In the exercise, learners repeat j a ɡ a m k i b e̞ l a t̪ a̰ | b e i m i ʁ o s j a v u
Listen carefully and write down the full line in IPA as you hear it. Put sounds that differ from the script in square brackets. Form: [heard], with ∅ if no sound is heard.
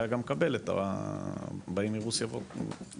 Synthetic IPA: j a ɡ a m k [a] b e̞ l [e] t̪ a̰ | b [a] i m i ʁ [u] s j a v [o]